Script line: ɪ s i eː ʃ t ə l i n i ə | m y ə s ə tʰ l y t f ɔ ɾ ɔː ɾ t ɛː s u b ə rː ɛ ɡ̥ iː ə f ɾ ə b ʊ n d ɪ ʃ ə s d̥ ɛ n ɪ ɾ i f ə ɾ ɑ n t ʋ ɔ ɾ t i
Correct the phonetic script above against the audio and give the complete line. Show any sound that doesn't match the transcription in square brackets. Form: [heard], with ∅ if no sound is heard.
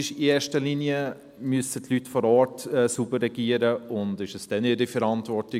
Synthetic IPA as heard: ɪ [ʃ] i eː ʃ t ə l i n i ə | m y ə s ə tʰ l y t f ɔ ɾ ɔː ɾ t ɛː s u b ə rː ɛ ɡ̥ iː ə [∅] ɾ ə [∅] ʊ n d ɪ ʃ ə s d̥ ɛ n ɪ ɾ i f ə ɾ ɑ n t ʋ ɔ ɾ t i